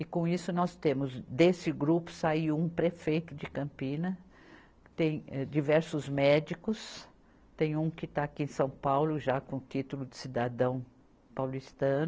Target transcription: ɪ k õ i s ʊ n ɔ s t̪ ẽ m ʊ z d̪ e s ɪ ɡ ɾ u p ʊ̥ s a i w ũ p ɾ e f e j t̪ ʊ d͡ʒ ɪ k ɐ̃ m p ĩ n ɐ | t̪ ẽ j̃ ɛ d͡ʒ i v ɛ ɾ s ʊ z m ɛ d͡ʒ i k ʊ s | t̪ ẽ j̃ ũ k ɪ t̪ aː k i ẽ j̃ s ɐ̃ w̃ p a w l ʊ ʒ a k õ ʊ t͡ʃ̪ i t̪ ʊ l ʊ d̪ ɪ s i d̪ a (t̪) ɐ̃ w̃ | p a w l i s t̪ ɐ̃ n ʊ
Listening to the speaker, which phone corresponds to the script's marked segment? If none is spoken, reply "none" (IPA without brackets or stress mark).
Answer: d̪